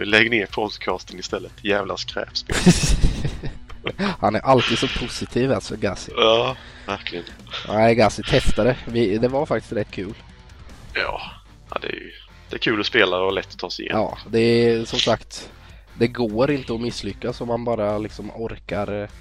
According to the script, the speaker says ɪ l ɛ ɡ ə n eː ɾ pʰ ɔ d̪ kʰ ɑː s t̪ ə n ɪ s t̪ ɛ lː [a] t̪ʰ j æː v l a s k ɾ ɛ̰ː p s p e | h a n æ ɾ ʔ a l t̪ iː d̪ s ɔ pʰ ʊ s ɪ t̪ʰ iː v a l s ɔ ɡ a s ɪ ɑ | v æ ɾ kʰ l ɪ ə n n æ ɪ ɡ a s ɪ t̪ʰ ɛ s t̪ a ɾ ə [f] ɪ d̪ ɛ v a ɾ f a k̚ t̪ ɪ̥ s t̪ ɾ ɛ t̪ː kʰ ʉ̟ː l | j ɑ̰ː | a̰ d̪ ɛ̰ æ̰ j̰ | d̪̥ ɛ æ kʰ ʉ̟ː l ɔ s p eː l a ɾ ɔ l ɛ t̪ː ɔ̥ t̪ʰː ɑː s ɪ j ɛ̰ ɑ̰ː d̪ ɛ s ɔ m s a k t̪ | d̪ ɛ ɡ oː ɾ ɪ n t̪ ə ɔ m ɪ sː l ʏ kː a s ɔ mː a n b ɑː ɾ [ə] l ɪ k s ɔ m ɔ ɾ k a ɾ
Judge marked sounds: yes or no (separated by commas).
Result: no, no, no